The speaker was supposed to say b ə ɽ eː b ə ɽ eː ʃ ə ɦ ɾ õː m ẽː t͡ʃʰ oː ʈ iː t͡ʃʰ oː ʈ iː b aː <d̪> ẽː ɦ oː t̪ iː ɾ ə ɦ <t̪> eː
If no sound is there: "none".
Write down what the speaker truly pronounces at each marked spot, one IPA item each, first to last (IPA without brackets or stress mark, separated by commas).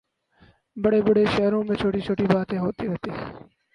t̪, t̪